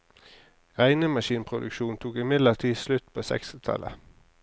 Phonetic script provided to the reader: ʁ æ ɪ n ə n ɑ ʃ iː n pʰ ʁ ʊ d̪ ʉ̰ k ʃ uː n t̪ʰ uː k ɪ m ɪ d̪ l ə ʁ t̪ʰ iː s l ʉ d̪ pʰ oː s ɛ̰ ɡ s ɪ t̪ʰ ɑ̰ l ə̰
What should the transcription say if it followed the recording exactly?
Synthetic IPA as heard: ʁ æ ɪ n ə m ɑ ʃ iː n pʰ ʁ ʊ d̪ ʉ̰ k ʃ uː n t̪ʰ uː k ɪ m ɪ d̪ l ə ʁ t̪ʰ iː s l ʉ t̪ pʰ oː s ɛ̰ k s ɪ t̪ʰ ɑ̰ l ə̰